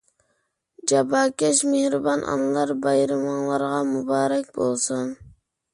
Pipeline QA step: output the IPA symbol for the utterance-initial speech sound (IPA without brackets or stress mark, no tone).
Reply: d͡ʒ